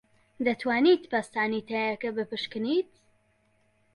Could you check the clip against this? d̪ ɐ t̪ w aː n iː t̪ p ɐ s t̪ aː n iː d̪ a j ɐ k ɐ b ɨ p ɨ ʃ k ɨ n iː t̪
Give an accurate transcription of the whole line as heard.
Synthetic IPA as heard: d̪ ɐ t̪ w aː n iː t̪ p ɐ s t̪ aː n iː t̪ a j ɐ k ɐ b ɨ p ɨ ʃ k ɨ n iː t̪